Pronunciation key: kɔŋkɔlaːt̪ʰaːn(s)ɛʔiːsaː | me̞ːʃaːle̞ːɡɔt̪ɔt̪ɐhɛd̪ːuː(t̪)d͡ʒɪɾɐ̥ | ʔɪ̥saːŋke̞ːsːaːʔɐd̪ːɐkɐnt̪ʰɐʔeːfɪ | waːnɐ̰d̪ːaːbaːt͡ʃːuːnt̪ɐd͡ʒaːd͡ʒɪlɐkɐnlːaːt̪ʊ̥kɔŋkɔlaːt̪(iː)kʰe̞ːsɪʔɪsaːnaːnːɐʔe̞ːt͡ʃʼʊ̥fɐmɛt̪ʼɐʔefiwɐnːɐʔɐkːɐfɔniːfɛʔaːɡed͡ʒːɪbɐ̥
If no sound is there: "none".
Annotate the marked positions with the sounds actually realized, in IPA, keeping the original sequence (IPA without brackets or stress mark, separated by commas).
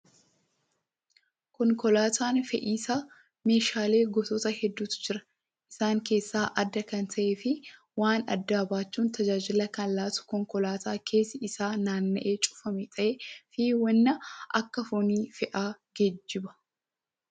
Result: f, t̪, aː